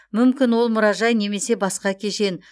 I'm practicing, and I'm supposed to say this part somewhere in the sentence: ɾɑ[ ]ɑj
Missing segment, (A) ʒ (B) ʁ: A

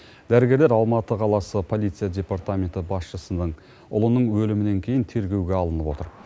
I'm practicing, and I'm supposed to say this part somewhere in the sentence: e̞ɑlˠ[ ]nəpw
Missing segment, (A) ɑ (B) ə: B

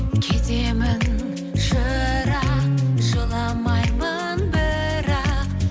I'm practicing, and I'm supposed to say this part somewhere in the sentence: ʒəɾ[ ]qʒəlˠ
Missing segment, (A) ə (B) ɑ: B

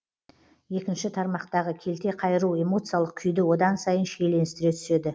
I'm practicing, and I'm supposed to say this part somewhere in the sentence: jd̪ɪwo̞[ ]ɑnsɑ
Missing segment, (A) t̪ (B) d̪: B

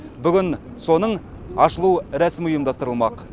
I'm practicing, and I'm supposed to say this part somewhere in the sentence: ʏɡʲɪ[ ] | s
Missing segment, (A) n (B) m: A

